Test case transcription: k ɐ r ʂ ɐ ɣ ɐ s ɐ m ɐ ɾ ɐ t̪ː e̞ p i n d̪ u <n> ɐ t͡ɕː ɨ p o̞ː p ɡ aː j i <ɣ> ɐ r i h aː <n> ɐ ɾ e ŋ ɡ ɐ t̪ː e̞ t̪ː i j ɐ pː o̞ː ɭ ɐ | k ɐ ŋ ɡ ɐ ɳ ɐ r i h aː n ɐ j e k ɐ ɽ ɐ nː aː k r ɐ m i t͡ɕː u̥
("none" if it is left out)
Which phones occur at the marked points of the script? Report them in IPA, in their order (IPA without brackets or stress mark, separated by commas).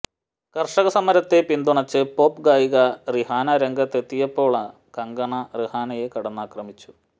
ɳ, ɣ, n